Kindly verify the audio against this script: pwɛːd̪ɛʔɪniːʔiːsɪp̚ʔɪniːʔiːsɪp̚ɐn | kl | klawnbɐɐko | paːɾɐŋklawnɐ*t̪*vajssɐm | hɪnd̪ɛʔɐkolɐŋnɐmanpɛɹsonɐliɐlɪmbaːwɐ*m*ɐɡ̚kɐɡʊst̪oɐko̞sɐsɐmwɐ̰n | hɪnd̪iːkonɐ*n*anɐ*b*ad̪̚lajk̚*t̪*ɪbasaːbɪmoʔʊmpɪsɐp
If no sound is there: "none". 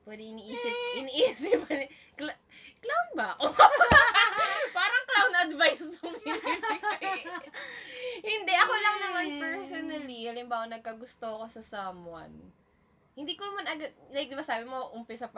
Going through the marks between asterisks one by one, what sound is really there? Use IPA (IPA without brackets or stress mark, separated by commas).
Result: d̪, n, m, ɡ, d̪